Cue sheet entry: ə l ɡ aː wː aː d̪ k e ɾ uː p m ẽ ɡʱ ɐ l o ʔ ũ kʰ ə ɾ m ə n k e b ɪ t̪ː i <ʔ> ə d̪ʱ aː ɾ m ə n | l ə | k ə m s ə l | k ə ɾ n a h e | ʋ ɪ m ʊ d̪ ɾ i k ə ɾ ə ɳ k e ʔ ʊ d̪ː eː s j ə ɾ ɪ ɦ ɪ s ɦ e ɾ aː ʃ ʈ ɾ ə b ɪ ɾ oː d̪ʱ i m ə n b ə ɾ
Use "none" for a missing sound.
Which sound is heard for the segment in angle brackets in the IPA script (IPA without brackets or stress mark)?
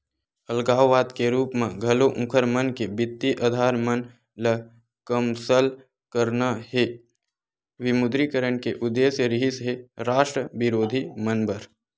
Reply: ʔ